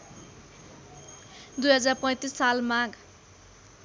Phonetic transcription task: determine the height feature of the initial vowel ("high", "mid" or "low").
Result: high